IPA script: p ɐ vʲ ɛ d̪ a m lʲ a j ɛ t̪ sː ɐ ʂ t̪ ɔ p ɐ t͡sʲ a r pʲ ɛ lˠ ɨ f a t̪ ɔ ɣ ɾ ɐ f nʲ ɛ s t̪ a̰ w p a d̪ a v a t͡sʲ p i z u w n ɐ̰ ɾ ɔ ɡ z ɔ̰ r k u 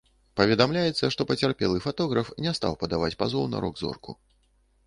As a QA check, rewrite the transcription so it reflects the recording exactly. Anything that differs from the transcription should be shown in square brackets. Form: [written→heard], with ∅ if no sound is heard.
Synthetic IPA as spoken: p ɐ vʲ ɛ d̪ a m lʲ a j ɛ t̪ sː ɐ ʂ t̪ ɔ p ɐ t͡sʲ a r pʲ ɛ lˠ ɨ f a t̪ ɔ ɣ ɾ ɐ f nʲ ɛ s t̪ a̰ w p [a→ɐ] d̪ a v a t͡sʲ p [i→a] z [u→ɔ] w n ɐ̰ ɾ ɔ ɡ z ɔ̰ r k u